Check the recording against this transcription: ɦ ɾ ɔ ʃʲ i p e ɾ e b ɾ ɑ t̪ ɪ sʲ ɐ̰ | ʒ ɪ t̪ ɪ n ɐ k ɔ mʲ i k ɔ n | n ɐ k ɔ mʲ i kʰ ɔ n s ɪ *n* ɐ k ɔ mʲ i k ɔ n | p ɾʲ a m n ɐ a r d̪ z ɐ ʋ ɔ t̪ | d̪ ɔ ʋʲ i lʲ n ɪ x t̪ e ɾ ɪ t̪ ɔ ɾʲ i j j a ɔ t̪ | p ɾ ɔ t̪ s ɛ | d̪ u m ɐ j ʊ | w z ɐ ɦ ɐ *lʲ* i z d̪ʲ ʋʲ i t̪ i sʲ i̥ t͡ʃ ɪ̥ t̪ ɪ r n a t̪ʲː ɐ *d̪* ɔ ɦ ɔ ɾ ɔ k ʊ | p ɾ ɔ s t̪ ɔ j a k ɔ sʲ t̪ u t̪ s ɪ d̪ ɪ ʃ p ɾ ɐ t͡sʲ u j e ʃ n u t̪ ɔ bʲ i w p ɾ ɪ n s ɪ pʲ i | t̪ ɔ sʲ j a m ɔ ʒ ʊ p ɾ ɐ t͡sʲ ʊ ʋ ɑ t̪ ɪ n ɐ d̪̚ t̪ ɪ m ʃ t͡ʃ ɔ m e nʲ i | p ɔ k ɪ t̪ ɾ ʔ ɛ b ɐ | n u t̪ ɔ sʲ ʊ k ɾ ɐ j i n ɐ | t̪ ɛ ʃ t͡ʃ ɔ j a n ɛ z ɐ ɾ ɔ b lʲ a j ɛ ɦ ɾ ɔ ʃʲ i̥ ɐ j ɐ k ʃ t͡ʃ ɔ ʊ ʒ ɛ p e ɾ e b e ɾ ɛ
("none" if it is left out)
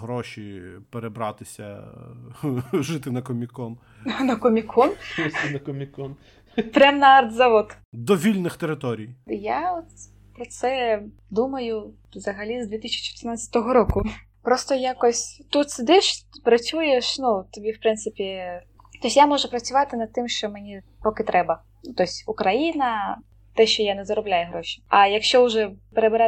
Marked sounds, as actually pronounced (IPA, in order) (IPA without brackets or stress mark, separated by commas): n, lʲ, t̪